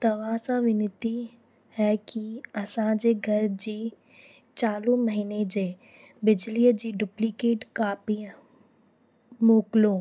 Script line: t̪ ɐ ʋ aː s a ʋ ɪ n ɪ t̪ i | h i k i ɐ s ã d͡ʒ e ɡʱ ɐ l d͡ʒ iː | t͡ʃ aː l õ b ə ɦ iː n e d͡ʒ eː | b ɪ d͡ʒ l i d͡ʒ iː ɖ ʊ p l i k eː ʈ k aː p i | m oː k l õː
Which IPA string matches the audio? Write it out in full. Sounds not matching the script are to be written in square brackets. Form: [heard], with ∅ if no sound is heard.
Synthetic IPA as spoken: t̪ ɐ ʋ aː s a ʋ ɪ n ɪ t̪ i | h [ɛ] k i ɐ s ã d͡ʒ e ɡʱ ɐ [ɾ] d͡ʒ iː | t͡ʃ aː l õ [m] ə ɦ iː n e d͡ʒ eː | b ɪ d͡ʒ l i d͡ʒ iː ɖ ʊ p l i k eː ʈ k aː p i | m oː k l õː